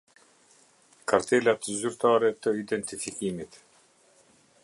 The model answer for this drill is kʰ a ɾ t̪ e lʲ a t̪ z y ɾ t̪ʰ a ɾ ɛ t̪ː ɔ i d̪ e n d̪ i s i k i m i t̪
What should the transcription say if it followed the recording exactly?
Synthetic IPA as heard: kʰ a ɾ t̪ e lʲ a t̪ z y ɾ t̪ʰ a ɾ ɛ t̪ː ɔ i d̪ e n t̪ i f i k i m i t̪

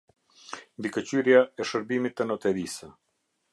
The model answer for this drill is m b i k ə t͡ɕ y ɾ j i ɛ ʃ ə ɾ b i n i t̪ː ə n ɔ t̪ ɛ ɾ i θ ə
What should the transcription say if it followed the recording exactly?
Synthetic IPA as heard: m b i k ə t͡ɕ y ɾ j a ɛ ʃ ə ɾ b i m i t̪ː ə n ɔ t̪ ɛ ɾ i s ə

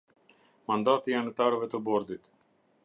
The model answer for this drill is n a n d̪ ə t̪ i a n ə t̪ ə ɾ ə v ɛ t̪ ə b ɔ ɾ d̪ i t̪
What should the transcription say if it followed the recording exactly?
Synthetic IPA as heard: m a n d̪ a t̪ i a n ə t̪ a ɾ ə v ɛ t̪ ə b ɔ ɾ d̪ i t̪

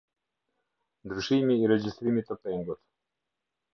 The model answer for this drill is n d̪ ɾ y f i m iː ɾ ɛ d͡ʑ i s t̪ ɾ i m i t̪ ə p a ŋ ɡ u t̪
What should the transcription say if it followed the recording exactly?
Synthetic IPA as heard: n d̪ ɾ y ʃ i m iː ɾ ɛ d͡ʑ i s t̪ ɾ i m i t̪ ə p ɛ ŋ ɡ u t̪

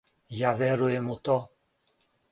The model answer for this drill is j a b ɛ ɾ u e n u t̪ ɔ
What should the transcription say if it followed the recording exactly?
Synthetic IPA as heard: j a v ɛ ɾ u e m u t̪ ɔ

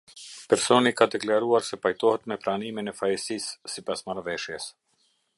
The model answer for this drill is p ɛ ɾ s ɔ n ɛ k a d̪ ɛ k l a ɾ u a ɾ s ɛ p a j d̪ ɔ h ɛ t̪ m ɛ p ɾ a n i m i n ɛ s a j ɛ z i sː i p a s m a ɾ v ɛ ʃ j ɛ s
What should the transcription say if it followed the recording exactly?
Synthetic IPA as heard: p ɛ ɾ s ɔ n i k a d̪ ɛ k l a ɾ u a ɾ s ɛ p a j t̪ ɔ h ɛ t̪ m ɛ p ɾ a n i m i n ɛ f a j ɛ s i sː i p a s m a ɾ v ɛ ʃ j ɛ s

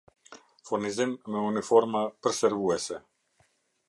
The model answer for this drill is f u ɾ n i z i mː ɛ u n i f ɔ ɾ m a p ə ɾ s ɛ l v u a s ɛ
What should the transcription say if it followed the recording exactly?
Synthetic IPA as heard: f u ɾ n i z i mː ɛ u n i f ɔ ɾ m a p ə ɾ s ɛ ɾ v u ɛ s ɛ

